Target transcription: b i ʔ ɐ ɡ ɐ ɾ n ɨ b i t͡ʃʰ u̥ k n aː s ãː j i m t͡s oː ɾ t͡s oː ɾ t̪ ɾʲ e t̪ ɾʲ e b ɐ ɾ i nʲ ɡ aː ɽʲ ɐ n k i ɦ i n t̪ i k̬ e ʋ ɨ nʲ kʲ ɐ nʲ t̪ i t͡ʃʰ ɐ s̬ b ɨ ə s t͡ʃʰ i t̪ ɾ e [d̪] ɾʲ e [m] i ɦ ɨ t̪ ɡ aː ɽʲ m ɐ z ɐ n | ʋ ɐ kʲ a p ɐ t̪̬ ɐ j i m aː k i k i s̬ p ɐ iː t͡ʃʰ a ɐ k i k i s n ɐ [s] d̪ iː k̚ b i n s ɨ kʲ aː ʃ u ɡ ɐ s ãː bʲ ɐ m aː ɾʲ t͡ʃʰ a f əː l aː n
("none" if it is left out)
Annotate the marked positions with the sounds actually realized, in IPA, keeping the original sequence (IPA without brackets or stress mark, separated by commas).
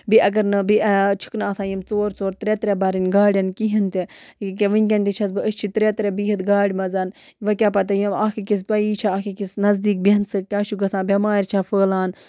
t̪, b, z